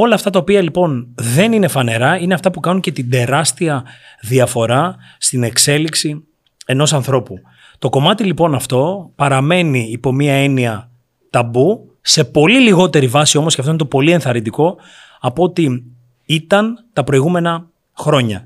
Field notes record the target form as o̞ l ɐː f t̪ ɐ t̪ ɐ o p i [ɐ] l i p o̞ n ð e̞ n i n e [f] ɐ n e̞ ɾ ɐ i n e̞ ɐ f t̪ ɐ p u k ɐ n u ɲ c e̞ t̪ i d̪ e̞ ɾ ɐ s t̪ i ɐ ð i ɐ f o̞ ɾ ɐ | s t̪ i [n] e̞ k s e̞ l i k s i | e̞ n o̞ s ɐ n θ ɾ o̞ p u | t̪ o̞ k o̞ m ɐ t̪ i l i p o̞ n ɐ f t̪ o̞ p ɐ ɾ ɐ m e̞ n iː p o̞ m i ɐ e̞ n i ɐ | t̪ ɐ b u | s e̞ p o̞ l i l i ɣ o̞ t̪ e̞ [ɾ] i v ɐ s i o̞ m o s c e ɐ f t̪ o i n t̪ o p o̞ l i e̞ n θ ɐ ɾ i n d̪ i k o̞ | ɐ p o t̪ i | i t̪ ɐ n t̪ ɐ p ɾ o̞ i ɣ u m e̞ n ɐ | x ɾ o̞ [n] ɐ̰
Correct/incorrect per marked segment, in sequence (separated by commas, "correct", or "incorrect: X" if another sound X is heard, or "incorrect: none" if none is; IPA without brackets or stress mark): correct, correct, correct, correct, incorrect: ɲ